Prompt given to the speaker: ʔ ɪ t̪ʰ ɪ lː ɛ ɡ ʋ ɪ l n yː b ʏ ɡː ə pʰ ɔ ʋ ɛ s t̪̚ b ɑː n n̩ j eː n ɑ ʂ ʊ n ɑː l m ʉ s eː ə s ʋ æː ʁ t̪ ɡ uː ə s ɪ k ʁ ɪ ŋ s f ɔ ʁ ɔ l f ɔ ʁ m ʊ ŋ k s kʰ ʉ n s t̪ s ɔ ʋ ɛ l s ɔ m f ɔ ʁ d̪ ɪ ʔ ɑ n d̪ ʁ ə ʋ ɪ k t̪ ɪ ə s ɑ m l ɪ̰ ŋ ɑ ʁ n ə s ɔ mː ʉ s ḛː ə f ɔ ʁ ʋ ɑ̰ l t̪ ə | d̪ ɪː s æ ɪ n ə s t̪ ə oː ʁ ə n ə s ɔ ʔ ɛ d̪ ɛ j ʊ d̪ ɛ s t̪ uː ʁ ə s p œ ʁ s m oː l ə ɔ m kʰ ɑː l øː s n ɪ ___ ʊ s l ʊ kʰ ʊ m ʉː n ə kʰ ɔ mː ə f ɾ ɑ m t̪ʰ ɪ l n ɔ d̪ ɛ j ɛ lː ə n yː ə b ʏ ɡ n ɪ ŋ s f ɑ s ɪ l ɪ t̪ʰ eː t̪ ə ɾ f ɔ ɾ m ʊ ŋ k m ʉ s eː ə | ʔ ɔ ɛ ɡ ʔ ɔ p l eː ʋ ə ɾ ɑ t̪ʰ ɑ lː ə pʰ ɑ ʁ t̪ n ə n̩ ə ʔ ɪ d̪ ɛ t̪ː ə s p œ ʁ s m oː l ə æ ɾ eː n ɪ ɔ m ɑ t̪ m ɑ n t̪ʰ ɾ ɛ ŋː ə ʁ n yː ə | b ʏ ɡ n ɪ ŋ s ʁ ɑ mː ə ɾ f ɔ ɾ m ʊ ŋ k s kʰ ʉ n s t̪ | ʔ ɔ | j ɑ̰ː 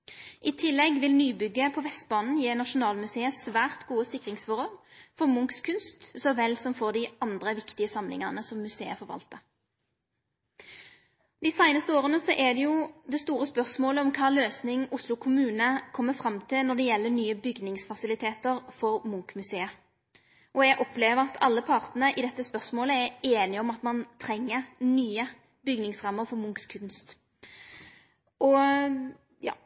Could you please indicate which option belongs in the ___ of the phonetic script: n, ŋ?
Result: ŋ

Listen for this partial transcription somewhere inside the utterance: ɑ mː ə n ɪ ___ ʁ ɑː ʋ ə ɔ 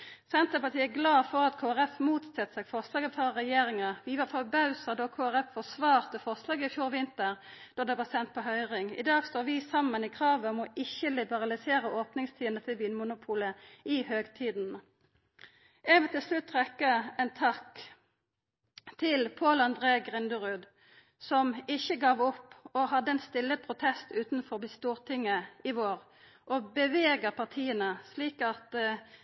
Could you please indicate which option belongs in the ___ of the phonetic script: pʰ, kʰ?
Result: kʰ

